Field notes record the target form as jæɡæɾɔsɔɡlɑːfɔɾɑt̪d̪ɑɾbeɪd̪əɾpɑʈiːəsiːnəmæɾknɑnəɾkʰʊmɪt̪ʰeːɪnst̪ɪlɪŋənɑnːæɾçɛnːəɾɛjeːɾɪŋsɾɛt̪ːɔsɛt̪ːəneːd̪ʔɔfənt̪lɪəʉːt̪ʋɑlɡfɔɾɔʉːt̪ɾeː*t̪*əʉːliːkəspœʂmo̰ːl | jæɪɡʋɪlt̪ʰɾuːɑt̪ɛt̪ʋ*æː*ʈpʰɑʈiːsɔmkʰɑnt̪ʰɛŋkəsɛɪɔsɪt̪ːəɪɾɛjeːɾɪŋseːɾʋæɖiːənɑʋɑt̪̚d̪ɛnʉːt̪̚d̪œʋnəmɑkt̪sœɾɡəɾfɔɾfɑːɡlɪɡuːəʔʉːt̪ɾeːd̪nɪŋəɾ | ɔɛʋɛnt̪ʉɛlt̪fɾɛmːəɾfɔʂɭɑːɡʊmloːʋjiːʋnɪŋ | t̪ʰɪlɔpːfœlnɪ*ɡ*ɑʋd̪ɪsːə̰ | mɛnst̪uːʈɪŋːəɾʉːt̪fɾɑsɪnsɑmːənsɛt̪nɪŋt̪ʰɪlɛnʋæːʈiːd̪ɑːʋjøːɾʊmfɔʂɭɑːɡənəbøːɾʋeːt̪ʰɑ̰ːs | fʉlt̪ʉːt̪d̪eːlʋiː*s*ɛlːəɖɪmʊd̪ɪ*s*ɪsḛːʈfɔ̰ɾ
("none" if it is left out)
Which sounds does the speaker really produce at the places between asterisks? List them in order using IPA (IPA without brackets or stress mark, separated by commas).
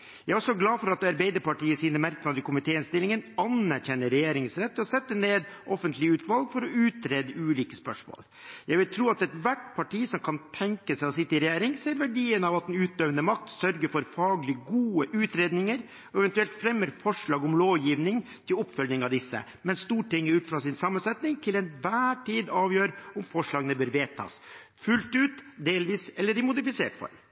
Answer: d̪, æ, ŋ, s, f